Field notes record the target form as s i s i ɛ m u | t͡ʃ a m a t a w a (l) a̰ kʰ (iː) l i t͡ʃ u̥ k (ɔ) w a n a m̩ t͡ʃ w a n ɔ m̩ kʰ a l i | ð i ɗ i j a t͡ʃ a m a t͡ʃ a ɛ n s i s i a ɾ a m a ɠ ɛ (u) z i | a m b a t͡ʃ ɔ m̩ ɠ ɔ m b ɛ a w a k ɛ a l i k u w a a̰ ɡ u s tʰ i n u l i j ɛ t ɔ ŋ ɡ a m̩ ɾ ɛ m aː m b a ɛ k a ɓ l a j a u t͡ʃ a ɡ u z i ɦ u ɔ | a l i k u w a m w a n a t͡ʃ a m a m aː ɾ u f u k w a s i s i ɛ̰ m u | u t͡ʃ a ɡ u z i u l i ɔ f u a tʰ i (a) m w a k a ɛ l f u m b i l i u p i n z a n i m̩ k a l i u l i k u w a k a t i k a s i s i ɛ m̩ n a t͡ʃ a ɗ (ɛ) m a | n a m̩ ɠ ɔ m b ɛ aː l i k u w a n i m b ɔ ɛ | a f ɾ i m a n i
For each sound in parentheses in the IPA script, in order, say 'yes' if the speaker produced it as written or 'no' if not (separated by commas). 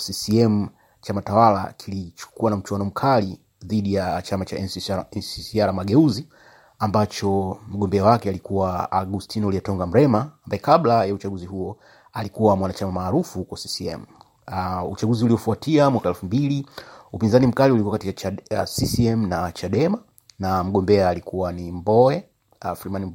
yes, no, no, yes, yes, yes